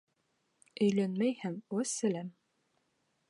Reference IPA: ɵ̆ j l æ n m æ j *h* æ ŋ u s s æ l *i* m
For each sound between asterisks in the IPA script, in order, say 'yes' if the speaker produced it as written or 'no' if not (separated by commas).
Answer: yes, no